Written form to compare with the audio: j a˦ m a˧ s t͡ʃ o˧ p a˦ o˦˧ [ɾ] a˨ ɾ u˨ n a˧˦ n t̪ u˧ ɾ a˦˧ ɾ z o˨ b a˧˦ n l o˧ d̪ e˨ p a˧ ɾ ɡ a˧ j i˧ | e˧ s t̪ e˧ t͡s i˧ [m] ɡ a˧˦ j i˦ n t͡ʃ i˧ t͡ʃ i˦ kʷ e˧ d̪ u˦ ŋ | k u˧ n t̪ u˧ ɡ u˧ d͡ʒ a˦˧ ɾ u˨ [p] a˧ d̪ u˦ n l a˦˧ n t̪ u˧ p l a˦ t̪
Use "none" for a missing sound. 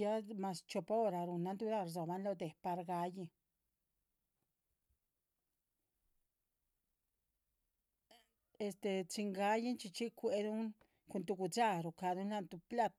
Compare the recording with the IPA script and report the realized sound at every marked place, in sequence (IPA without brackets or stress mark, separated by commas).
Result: ɾ, ŋ, k